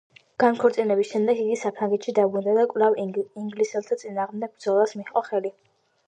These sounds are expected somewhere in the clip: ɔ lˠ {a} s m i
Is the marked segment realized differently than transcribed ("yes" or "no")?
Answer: no